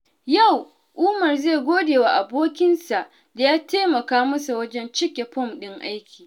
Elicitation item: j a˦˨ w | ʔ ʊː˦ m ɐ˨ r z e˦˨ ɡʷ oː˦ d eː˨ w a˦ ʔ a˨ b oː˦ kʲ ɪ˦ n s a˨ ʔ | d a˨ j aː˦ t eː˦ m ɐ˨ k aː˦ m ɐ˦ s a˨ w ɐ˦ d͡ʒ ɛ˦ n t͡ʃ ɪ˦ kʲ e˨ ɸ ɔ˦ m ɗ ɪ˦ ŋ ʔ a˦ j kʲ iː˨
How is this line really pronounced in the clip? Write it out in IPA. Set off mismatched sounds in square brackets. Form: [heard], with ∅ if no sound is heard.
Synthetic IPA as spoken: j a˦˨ w | ʔ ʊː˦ m ɐ˨ r z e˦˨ ɡʷ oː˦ d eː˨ w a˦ ʔ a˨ b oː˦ kʲ ɪ˦ n s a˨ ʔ | d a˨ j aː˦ t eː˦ m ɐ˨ k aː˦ m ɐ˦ s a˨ w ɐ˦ d͡ʒ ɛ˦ n t͡ʃ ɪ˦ kʲ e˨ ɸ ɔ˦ m ɗ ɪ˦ ŋ ʔ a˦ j kʲ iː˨

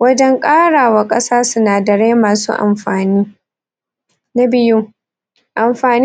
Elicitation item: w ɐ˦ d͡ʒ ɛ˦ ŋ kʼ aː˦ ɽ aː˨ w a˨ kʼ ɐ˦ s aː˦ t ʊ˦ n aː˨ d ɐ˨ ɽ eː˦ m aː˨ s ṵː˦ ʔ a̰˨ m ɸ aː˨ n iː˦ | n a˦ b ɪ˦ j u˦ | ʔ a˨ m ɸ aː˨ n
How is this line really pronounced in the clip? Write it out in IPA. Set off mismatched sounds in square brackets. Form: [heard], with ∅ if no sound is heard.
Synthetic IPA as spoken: w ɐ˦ d͡ʒ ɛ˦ ŋ kʼ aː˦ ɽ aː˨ w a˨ kʼ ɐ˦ s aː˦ [s] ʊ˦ n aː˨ d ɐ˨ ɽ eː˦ m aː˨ s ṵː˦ ʔ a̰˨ m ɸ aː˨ n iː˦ | n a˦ b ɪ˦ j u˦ | ʔ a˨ m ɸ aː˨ n

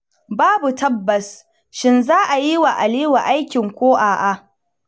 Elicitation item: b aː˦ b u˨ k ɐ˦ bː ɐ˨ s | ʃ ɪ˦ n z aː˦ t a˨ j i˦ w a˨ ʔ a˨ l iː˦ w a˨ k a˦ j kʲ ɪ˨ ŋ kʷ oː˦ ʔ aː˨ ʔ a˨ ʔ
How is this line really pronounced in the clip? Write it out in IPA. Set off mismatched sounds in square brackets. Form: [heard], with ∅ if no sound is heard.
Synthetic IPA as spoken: b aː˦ b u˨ [t] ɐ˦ bː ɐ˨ s | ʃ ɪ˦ n z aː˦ [ʔ] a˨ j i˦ w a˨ ʔ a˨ l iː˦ w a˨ [ʔ] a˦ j kʲ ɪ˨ ŋ kʷ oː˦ ʔ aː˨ ʔ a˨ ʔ

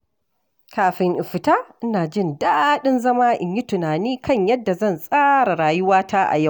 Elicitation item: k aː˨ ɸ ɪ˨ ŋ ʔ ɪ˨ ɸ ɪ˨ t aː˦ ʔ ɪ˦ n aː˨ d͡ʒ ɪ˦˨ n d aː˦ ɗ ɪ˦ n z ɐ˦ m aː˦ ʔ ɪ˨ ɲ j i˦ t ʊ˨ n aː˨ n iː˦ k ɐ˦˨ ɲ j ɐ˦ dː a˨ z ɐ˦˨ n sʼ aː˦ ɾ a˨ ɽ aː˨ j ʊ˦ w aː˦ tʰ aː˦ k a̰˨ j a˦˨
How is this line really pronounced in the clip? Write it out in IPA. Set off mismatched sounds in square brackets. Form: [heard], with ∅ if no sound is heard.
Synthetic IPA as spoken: k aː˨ ɸ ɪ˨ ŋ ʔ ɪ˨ ɸ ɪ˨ t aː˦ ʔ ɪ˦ n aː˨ d͡ʒ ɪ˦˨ n d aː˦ ɗ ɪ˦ n z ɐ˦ m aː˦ ʔ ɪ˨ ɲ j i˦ t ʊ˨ n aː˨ n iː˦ k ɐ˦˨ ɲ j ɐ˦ dː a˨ z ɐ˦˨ n sʼ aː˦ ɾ a˨ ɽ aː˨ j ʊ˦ w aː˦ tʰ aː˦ [ʔ] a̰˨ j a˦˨

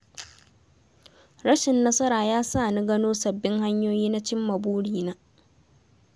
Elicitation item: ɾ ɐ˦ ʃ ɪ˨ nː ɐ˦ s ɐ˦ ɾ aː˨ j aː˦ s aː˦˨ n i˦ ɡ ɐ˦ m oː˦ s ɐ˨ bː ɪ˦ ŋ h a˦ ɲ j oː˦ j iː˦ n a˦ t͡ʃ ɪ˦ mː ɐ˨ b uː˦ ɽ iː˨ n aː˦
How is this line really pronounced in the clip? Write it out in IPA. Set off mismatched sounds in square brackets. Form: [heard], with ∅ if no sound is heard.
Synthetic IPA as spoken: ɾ ɐ˦ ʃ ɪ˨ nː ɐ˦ s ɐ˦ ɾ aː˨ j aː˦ s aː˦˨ n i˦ ɡ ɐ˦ [n] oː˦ s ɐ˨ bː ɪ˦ ŋ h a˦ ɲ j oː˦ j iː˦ n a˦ t͡ʃ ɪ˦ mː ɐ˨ b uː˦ ɽ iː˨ n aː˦

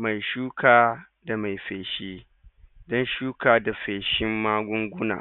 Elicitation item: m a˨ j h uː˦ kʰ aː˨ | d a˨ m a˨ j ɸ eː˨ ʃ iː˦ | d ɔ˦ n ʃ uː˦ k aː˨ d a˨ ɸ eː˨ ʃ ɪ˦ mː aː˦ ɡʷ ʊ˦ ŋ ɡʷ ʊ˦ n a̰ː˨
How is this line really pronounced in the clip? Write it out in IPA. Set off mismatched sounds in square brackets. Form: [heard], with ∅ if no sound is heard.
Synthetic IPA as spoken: m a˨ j [ʃ] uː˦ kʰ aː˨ | d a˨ m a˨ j ɸ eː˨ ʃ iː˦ | d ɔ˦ n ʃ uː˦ k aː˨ d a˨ ɸ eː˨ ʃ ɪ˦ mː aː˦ ɡʷ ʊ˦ ŋ ɡʷ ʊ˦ n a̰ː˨

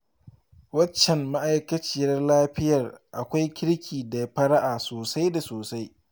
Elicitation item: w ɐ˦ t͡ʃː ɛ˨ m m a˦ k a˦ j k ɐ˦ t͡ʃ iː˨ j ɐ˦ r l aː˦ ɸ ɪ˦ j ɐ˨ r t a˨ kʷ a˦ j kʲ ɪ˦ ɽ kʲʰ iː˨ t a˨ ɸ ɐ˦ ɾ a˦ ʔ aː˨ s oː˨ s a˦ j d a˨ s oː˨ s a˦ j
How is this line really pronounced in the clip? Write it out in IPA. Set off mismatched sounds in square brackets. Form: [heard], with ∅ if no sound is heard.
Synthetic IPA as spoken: w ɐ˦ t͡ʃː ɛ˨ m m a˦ [ʔ] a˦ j k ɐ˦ t͡ʃ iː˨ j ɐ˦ r l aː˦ ɸ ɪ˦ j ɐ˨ r [ʔ] a˨ kʷ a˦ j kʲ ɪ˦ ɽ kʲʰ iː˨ [d] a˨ ɸ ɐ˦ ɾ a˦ ʔ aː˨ s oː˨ s a˦ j d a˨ s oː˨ s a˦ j

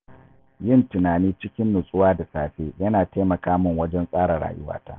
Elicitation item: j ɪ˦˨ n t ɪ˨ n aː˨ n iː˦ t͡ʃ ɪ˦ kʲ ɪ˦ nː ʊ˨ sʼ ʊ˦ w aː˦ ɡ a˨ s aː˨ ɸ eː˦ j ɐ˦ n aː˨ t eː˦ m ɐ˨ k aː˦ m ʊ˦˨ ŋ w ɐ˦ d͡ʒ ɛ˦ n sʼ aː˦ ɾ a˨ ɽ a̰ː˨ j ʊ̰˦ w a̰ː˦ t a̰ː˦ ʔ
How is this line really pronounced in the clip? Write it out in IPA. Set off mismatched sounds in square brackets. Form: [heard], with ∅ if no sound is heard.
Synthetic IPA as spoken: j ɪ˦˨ n t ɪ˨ n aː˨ n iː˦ t͡ʃ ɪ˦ kʲ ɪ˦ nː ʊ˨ sʼ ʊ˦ w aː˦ [d] a˨ s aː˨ ɸ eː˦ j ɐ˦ n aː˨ t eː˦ m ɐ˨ k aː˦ m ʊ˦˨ ŋ w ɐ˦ d͡ʒ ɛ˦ n sʼ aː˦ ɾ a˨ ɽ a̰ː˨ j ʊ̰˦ w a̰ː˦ t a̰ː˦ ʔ

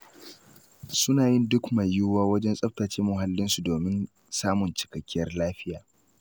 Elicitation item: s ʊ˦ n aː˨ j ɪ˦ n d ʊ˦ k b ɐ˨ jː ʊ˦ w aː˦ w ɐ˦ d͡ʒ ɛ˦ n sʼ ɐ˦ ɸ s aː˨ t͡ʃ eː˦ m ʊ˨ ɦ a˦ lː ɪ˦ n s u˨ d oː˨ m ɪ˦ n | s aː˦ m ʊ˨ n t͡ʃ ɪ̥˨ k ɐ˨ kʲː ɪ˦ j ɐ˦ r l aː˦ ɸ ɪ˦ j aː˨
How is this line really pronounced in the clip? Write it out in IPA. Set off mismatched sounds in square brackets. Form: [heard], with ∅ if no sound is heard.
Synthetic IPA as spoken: s ʊ˦ n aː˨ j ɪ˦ n d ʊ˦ k [m] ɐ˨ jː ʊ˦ w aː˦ w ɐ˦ d͡ʒ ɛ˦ n sʼ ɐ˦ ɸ [t] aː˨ t͡ʃ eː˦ m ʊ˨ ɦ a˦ lː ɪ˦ n s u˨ d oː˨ m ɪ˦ n | s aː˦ m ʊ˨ n t͡ʃ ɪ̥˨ k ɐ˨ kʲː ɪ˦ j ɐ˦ r l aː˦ ɸ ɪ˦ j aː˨

